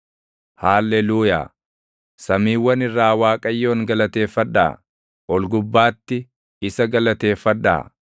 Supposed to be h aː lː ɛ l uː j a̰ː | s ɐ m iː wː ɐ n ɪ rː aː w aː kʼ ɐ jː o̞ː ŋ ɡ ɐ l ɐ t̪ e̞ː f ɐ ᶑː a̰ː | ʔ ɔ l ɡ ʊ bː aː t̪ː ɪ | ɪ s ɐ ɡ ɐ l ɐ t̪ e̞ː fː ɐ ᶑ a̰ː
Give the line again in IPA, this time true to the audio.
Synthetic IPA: h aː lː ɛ l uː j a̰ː | s ɐ m iː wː ɐ n ɪ rː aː w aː kʼ ɐ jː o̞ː ŋ ɡ ɐ l ɐ t̪ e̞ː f ɐ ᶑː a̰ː | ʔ ɔ l ɡ ʊ bː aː t̪ː ɪ | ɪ s ɐ ɡ ɐ l ɐ t̪ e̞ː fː ɐ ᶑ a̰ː